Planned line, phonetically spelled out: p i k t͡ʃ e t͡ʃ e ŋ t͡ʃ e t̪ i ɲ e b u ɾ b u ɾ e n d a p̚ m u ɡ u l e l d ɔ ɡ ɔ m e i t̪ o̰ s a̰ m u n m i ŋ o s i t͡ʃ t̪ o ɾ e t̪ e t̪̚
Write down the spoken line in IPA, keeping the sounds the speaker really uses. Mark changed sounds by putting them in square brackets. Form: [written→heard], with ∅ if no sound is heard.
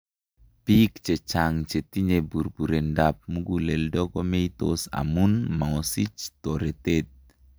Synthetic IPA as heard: p i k t͡ʃ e t͡ʃ [e→a] ŋ t͡ʃ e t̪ i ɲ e b u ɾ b u ɾ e n d a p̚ m u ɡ u l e l d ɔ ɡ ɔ m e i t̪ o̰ s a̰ m u n m [i→a] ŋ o s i t͡ʃ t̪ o ɾ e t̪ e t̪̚